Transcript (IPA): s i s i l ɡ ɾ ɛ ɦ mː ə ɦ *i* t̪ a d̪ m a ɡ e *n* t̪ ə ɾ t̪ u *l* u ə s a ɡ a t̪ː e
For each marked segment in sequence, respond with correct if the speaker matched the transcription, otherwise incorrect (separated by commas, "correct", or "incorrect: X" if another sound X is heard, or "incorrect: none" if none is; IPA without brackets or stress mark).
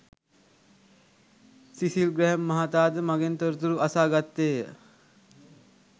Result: incorrect: a, correct, incorrect: ɾ